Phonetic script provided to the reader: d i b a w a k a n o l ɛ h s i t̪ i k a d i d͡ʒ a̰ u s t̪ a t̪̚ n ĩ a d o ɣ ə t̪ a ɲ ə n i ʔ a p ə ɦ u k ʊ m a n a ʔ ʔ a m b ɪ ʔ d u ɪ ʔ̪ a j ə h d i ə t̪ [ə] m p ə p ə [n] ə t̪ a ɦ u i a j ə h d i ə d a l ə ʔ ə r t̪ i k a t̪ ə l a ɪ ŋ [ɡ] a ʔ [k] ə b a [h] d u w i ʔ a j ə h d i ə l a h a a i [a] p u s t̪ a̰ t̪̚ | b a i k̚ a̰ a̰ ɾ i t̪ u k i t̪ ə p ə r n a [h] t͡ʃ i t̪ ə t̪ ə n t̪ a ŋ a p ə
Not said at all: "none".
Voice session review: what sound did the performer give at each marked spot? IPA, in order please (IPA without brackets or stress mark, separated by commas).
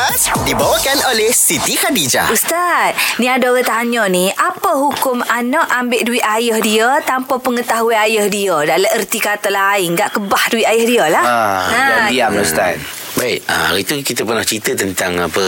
a, ŋ, ɡ, k, h, a, h